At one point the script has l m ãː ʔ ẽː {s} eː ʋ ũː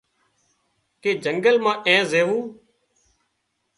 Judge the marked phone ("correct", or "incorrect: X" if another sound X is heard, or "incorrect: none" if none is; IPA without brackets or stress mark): incorrect: z